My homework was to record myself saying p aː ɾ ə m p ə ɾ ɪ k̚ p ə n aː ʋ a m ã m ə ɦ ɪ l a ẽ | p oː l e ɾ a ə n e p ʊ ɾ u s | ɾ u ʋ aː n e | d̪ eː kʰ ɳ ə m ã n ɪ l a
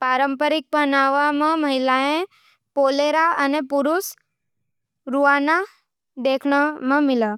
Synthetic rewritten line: p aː ɾ ə m p ə ɾ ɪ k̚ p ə n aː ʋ a m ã m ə ɦ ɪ l a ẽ | p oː l e ɾ a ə n e p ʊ ɾ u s | ɾ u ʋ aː n a | d̪ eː kʰ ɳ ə m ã m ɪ l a